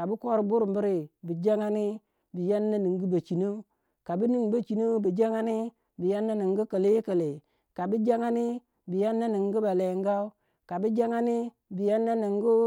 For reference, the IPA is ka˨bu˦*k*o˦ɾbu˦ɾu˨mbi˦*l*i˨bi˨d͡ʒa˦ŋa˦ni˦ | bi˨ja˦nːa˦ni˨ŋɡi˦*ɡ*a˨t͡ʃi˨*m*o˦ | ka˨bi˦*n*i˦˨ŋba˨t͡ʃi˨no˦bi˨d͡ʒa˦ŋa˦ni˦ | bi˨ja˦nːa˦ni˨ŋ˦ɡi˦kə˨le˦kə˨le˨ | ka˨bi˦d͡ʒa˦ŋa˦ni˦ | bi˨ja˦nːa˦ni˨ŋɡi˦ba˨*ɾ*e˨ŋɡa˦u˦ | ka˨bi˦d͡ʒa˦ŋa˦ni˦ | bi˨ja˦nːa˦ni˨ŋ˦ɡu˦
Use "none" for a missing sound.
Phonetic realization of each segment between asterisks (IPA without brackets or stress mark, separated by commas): k, ɾ, b, n, n, l